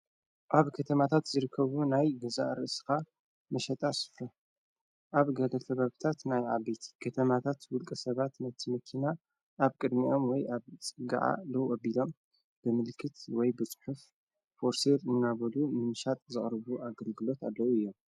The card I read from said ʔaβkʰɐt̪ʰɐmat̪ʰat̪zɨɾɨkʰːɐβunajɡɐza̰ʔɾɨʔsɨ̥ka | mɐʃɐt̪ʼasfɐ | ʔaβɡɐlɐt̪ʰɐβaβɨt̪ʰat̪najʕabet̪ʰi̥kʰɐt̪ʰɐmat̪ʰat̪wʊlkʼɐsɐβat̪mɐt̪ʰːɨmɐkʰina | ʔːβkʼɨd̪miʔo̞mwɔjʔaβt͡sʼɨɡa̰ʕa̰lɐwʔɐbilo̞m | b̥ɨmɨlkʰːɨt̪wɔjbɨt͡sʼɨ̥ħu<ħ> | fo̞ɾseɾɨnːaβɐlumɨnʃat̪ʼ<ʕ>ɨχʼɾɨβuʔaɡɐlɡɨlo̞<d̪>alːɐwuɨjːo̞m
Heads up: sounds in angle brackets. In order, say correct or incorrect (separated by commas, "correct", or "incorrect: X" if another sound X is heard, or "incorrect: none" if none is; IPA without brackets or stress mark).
incorrect: f, incorrect: z, incorrect: t̪